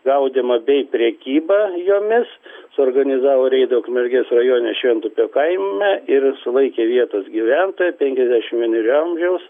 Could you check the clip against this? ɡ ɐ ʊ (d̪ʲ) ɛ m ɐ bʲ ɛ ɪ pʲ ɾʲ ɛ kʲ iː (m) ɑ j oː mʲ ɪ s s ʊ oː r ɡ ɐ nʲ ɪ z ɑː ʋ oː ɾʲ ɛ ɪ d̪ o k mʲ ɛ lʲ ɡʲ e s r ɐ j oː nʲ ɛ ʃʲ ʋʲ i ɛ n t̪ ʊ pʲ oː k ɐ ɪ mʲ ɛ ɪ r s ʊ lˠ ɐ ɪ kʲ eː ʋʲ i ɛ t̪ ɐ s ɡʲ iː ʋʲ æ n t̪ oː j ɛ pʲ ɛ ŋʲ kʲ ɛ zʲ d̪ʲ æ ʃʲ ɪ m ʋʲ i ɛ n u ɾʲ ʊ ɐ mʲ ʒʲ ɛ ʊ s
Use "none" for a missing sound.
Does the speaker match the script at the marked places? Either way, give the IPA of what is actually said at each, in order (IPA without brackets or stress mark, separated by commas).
d̪ʲ, b